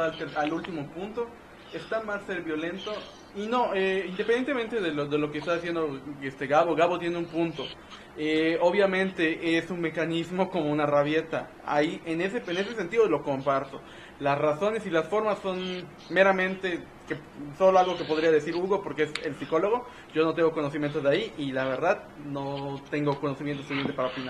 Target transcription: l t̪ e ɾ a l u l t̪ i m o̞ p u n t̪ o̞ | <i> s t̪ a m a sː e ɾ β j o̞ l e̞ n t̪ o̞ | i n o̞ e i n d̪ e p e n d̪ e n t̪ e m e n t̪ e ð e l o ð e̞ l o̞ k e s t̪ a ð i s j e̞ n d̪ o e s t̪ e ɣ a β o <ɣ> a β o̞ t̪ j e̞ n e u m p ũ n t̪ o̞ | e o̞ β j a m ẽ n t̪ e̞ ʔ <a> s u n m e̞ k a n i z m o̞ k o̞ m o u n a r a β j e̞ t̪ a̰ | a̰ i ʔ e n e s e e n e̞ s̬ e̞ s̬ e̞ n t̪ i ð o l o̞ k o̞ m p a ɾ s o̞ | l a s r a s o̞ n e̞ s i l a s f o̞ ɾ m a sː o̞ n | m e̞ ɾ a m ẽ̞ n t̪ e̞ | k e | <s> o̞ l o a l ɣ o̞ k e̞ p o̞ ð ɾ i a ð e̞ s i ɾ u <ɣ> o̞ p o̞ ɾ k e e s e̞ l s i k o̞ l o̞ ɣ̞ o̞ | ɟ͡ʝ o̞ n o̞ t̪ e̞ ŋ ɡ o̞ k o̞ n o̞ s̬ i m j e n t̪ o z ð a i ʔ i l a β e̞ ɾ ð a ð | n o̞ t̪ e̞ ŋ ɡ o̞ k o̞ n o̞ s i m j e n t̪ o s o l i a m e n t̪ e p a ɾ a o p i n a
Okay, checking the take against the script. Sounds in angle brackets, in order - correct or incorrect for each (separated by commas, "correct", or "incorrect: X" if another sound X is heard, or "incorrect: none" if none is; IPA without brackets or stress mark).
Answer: incorrect: e, correct, incorrect: e, correct, correct